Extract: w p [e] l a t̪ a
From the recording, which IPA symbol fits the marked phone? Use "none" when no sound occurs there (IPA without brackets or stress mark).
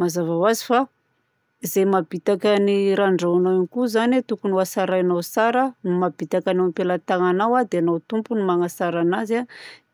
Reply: e